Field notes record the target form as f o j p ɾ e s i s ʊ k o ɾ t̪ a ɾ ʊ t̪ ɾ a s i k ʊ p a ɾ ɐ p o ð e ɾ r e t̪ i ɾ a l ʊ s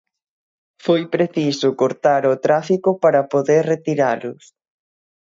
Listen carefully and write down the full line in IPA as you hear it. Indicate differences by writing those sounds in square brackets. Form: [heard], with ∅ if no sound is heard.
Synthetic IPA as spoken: f o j p ɾ e [θ] i s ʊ k o ɾ t̪ a ɾ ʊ t̪ ɾ a [f] i k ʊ p a ɾ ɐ p o ð e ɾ r e t̪ i ɾ a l ʊ s